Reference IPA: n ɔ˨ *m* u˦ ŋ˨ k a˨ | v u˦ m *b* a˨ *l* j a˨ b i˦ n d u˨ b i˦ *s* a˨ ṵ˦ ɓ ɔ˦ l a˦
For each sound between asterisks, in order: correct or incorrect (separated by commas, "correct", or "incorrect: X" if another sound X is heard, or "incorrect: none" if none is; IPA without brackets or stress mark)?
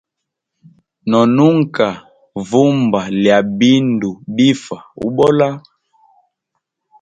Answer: incorrect: n, correct, correct, incorrect: f